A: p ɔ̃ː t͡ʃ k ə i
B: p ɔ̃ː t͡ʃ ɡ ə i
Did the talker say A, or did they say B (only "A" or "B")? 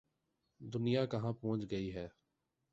B